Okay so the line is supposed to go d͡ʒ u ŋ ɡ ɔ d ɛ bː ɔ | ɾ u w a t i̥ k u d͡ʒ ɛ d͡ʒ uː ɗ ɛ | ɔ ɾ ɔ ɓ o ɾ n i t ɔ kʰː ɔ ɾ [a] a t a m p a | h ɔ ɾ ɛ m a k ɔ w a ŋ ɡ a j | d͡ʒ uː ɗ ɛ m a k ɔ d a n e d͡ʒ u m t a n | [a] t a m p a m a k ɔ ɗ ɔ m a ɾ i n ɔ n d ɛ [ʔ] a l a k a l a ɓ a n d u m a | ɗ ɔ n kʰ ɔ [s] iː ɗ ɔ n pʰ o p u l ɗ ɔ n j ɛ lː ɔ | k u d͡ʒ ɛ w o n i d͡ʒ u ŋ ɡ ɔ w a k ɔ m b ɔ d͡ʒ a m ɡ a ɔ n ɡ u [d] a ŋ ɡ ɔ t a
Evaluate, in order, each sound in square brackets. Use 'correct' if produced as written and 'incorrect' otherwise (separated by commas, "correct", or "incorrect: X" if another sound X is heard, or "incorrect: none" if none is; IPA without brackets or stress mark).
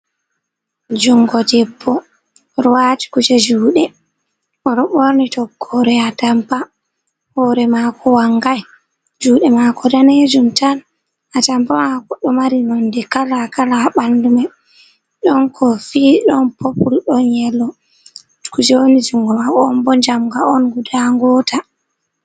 incorrect: ɛ, correct, incorrect: k, incorrect: f, correct